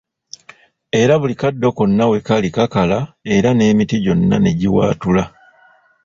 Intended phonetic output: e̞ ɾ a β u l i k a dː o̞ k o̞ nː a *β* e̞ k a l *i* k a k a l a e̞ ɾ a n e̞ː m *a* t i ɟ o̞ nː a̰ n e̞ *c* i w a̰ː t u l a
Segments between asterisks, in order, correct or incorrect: incorrect: w, correct, incorrect: i, incorrect: ɟ

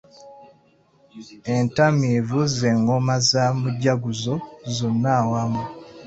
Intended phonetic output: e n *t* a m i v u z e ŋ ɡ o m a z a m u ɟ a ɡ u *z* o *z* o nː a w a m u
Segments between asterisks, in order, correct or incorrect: correct, correct, correct

